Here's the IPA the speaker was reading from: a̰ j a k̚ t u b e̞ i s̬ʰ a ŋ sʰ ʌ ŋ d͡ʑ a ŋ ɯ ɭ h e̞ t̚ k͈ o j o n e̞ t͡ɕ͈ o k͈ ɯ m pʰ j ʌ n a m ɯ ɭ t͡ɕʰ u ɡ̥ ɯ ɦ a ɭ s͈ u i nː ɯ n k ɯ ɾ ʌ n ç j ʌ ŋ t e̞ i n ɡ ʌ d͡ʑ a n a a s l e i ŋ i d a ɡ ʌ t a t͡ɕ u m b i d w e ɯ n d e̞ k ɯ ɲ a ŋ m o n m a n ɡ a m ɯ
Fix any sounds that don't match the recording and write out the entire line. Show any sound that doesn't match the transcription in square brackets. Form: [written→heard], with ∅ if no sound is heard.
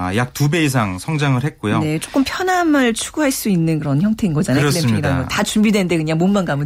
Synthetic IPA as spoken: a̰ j a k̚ t u b e̞ i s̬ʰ a ŋ sʰ ʌ ŋ d͡ʑ a ŋ ɯ ɭ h e̞ t̚ k͈ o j o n e̞ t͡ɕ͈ o k͈ ɯ m pʰ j ʌ n a m ɯ ɭ t͡ɕʰ u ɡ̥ [ɯ→u] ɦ a ɭ s͈ u i nː ɯ n k ɯ ɾ ʌ n ç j ʌ ŋ [t→tʰ] e̞ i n ɡ ʌ d͡ʑ a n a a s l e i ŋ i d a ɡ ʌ t a t͡ɕ u m b i d w e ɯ n d e̞ k ɯ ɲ a ŋ m o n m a n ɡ a m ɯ